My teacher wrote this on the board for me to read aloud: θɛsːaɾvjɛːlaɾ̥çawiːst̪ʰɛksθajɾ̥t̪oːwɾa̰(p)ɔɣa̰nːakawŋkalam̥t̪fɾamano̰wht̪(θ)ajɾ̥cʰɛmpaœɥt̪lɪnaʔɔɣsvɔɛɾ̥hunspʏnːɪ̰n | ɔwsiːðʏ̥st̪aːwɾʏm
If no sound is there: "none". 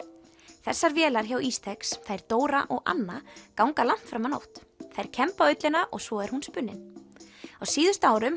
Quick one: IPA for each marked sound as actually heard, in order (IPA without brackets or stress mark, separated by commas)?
ʔ, θ